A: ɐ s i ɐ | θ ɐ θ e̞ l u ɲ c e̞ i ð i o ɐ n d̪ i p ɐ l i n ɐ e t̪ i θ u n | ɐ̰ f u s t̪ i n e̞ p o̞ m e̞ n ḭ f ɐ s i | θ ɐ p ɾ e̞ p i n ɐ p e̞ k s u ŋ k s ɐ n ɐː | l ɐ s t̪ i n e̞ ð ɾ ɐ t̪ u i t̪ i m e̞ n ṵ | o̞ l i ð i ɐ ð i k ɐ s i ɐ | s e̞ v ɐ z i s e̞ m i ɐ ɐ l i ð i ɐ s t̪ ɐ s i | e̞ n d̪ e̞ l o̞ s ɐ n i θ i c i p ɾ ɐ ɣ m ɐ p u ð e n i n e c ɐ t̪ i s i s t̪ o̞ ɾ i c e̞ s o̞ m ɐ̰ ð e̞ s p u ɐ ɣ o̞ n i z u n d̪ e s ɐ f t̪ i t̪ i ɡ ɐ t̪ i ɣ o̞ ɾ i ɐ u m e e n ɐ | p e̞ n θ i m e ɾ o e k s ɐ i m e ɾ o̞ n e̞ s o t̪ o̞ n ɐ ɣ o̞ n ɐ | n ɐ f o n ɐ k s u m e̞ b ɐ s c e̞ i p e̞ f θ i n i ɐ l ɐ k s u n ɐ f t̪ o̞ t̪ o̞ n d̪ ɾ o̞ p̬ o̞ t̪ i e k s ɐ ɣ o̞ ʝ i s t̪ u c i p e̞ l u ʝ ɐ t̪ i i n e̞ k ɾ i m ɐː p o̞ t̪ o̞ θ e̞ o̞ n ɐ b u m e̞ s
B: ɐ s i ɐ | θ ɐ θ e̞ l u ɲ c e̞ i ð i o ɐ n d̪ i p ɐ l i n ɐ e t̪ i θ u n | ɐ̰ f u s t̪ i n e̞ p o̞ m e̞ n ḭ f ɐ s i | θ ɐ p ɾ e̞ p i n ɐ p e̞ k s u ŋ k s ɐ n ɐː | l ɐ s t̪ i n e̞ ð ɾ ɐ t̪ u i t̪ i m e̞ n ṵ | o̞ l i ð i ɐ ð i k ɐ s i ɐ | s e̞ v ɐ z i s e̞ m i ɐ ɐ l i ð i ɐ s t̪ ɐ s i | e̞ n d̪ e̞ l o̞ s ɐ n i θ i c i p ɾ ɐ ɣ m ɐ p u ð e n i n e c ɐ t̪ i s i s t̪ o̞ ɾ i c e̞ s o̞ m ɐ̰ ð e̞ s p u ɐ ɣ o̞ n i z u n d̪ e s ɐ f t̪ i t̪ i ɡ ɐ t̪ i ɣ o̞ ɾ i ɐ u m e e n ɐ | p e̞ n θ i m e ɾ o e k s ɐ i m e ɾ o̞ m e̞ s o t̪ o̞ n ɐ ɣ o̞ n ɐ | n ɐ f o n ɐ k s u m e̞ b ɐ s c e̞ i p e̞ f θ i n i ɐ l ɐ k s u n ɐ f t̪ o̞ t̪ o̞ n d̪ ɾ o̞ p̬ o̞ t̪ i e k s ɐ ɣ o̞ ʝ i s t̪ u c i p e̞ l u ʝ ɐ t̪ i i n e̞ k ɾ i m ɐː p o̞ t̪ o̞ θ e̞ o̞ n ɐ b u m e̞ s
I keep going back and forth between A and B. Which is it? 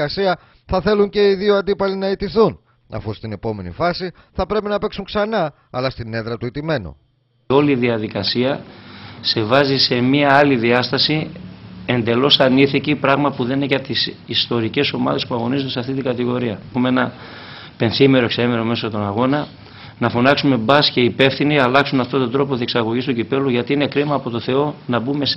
B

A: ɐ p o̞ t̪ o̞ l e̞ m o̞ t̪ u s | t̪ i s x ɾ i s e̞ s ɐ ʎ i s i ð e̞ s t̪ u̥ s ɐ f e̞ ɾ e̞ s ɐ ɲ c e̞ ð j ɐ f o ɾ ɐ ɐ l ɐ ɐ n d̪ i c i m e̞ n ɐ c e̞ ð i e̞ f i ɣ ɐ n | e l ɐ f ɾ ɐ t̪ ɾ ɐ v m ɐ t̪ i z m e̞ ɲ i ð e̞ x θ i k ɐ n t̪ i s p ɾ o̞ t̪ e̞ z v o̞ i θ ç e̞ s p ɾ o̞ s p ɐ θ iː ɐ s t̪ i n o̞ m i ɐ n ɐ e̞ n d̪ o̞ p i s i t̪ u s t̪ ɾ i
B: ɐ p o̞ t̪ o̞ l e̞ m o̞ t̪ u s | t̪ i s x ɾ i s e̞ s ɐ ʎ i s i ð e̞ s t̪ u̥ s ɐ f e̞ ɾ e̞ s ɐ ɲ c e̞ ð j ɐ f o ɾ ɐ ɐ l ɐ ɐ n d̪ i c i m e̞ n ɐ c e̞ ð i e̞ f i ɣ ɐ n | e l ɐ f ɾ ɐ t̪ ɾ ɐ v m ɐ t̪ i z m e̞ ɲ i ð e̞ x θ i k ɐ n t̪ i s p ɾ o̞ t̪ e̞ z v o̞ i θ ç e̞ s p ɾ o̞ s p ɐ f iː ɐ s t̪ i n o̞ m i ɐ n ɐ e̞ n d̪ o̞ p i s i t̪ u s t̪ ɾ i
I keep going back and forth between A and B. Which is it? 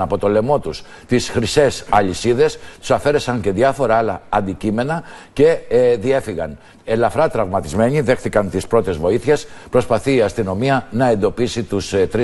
A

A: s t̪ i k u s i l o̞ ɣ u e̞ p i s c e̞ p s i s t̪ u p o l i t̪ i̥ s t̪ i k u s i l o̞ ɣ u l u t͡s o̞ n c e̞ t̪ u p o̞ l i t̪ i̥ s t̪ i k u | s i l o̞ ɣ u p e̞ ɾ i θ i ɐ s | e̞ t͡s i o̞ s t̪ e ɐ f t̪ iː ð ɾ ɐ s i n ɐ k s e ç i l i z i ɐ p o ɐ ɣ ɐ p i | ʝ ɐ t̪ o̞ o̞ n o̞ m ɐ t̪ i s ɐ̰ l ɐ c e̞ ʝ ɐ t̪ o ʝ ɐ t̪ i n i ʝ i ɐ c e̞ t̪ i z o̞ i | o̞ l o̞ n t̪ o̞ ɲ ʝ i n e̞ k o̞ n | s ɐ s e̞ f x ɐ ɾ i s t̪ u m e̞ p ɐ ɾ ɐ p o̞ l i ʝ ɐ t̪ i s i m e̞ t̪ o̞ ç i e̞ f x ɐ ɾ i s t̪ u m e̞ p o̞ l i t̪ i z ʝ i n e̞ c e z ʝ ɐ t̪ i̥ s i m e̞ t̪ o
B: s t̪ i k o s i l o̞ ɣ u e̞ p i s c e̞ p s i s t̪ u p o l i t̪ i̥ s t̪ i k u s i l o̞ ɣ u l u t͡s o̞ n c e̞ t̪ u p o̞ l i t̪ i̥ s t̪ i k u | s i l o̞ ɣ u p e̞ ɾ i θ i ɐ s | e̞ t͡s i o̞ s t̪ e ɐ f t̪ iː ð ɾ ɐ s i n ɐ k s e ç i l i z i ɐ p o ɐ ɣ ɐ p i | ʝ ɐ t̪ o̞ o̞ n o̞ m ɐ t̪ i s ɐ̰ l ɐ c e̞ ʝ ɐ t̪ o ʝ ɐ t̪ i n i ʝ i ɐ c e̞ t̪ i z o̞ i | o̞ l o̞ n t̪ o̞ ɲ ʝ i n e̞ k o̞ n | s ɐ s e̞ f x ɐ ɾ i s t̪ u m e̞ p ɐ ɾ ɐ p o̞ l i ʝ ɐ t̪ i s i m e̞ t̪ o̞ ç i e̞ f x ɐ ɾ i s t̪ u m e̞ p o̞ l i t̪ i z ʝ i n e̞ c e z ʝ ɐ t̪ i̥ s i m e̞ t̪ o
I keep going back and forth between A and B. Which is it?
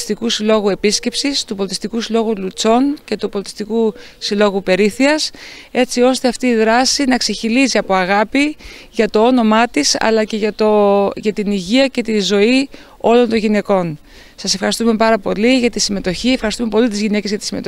A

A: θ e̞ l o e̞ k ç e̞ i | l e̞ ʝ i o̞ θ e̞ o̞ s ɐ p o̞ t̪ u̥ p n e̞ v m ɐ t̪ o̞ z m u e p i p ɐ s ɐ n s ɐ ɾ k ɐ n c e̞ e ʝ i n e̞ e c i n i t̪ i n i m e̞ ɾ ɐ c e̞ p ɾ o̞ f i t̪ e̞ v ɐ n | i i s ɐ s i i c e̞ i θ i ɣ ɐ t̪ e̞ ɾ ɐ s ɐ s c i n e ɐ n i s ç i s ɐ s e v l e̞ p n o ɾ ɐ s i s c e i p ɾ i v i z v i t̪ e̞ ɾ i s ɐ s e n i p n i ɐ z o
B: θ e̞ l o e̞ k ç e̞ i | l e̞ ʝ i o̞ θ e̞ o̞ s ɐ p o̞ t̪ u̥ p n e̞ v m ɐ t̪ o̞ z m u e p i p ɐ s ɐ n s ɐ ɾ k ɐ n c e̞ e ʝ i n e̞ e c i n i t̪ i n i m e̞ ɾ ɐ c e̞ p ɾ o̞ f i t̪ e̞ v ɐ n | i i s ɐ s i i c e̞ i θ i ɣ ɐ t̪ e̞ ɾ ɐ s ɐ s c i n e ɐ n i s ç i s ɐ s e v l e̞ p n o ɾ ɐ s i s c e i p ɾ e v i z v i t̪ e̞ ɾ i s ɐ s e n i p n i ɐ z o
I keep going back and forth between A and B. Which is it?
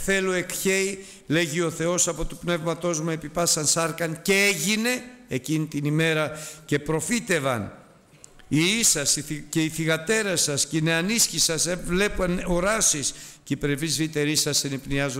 B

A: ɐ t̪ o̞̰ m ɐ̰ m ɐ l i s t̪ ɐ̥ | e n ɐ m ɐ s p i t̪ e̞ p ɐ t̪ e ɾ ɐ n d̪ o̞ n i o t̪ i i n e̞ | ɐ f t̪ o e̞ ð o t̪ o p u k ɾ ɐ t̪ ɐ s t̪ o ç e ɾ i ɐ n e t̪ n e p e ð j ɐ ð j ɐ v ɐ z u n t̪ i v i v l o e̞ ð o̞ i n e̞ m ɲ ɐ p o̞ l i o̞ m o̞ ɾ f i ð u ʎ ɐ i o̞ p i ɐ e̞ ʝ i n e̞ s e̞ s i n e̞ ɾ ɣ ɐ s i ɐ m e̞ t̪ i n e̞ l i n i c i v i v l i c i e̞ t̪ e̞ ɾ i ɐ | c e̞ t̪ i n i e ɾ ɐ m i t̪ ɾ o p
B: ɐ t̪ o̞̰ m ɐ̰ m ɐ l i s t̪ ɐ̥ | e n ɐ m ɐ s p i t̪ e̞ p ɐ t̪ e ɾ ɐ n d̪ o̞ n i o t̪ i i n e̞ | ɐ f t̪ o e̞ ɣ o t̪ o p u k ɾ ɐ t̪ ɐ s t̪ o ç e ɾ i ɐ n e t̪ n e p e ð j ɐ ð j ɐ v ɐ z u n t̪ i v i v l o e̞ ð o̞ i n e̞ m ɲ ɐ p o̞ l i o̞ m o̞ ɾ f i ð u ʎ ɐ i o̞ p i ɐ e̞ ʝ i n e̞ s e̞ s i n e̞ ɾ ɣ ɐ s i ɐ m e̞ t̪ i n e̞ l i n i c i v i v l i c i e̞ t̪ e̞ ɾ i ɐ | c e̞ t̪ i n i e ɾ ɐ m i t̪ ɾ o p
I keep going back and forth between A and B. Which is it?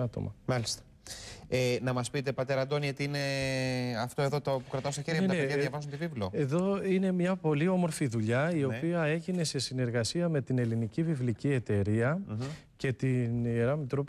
A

